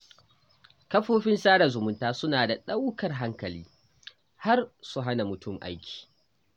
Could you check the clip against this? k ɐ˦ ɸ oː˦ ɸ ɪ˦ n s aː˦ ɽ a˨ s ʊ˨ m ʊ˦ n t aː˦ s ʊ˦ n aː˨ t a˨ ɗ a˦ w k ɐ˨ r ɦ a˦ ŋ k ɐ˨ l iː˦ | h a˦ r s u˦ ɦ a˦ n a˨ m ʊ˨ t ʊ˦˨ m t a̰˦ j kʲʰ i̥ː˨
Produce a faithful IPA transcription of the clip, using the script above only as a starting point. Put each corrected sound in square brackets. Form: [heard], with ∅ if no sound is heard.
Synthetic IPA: k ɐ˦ ɸ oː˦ ɸ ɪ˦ n s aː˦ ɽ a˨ [z] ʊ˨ m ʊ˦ n t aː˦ s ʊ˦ n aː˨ [d] a˨ ɗ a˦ w k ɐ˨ r ɦ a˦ ŋ k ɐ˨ l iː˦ | h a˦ r s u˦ ɦ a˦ n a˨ m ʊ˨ t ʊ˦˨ m [ʔ] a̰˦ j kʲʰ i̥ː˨